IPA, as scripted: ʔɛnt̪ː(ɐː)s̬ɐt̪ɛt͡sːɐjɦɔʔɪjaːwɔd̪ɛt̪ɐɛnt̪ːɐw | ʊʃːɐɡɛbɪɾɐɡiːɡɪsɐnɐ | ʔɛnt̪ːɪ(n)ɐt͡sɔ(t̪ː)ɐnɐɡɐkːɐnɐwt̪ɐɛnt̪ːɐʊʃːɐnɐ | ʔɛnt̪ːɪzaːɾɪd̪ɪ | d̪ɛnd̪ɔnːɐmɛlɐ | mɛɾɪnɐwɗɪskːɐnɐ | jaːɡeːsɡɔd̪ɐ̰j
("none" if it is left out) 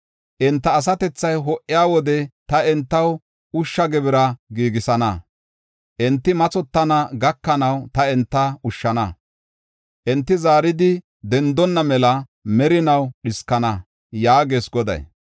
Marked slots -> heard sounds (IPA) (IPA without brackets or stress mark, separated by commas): ɐː, m, t̪ː